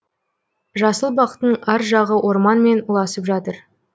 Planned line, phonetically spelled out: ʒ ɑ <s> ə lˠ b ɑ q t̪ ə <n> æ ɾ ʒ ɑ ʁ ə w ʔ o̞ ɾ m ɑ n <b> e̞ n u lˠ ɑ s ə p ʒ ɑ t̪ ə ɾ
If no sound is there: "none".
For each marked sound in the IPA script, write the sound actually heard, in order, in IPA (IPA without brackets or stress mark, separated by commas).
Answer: s, ɴ, m